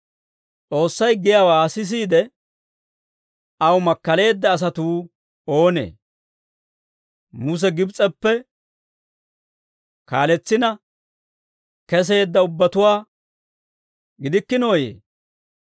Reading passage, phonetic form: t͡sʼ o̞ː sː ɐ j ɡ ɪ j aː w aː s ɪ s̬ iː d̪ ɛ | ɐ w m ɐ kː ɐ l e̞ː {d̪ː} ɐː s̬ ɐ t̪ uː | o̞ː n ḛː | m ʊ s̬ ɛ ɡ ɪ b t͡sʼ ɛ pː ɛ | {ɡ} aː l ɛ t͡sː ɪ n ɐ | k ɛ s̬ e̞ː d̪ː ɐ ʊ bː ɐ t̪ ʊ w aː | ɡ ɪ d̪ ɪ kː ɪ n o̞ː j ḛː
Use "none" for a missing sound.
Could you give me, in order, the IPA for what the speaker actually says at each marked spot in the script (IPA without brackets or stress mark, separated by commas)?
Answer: d̪ː, k